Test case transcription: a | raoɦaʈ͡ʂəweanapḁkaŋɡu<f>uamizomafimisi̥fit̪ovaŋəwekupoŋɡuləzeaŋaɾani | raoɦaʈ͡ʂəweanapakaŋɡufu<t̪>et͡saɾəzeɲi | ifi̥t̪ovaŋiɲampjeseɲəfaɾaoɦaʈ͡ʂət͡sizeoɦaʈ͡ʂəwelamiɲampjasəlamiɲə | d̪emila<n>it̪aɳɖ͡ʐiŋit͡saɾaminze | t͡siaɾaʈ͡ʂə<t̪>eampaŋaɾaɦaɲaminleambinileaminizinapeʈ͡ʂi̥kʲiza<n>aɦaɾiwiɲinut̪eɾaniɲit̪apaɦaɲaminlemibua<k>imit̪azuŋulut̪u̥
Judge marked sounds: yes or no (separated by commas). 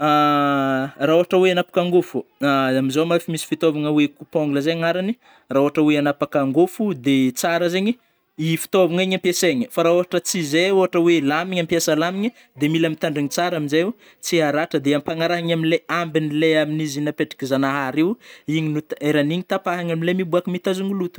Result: yes, no, no, no, yes, yes